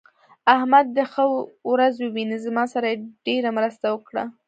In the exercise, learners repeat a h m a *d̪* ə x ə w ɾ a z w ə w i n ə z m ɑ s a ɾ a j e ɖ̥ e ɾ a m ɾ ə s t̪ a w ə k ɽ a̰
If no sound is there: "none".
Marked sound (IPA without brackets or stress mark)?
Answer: d̪ː